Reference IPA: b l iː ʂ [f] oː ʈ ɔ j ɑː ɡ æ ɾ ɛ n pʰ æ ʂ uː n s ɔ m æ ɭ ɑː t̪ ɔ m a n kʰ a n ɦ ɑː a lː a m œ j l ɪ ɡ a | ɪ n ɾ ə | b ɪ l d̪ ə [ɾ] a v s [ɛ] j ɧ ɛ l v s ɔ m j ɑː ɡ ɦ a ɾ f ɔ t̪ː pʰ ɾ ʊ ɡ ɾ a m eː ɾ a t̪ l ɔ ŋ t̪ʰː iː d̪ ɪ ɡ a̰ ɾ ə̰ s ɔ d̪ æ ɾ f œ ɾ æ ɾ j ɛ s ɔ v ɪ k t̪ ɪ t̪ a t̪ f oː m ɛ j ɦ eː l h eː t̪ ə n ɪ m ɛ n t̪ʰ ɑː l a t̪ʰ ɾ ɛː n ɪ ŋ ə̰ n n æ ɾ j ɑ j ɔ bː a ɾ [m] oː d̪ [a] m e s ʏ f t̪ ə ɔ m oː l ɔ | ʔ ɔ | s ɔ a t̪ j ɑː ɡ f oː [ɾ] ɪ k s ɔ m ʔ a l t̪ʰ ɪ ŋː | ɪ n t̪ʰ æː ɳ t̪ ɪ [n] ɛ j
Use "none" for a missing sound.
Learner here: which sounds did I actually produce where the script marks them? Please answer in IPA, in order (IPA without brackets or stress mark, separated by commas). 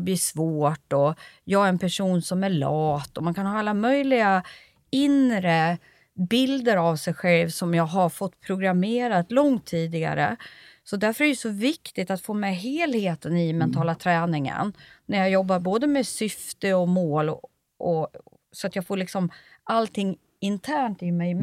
v, ɾ, ɛ, b, ə, ɭ, m